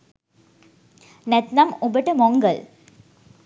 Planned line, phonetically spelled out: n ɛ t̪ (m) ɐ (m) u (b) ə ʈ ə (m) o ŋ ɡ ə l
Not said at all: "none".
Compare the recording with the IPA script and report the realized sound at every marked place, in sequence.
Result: n, m, b, m

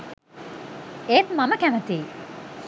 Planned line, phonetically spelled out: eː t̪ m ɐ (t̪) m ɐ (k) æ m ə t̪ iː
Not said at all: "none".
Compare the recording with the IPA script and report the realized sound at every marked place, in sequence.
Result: none, k

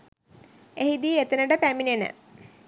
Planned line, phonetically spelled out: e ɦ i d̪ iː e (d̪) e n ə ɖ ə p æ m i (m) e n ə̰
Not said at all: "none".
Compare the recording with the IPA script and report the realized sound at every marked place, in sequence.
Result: t̪, n

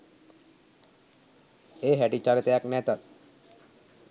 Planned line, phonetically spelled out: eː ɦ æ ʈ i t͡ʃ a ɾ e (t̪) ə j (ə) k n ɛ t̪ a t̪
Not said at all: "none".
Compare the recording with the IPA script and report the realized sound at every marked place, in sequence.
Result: t̪, a

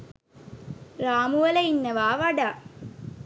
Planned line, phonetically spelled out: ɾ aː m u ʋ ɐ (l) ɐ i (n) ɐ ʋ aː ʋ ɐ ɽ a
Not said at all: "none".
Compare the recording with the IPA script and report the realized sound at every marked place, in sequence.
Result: l, nː

